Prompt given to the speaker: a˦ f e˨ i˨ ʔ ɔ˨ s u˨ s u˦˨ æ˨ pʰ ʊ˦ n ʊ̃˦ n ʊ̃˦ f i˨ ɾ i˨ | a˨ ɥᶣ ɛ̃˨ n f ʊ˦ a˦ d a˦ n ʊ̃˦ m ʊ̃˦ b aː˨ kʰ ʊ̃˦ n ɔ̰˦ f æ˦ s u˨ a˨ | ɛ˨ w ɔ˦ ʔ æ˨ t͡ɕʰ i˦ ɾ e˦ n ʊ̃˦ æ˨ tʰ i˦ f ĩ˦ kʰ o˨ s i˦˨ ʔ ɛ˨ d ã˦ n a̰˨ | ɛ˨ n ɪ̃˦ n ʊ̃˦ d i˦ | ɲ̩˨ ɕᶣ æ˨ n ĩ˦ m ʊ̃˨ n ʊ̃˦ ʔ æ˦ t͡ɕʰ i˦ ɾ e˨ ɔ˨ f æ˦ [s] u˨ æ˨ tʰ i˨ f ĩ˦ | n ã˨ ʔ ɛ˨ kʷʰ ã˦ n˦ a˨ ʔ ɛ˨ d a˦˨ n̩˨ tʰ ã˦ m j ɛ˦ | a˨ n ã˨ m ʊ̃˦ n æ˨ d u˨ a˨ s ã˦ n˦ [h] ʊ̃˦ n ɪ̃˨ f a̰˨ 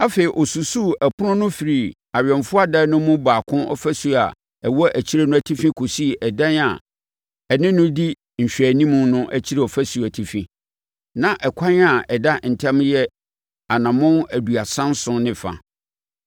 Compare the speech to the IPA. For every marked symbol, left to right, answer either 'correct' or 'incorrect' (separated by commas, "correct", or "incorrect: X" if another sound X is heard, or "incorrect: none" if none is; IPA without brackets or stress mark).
correct, incorrect: s